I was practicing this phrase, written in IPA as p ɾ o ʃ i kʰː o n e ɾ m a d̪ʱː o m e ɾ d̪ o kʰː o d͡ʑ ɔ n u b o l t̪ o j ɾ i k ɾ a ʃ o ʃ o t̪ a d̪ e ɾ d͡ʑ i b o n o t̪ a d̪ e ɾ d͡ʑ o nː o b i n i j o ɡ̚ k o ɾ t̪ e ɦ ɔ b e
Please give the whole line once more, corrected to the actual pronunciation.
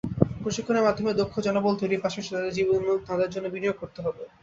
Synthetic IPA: p ɾ o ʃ i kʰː o n e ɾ m a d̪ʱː o m e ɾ d̪ o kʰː o d͡ʑ ɔ n o b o l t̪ o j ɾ i p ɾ a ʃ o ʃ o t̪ a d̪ e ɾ d͡ʑ i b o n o t̪ a d̪ e ɾ d͡ʑ o nː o b i n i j o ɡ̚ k o ɾ t̪ e ɦ ɔ b e